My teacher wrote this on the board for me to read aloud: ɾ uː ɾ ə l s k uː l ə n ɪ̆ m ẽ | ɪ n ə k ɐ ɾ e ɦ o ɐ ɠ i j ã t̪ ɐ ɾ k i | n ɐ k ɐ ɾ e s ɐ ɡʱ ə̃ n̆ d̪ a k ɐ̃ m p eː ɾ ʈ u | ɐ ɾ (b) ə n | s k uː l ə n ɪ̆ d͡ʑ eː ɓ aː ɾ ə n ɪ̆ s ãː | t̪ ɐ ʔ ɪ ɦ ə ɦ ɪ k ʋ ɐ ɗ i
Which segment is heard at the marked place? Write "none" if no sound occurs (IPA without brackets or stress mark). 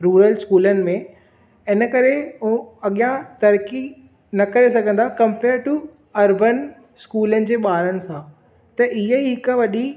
b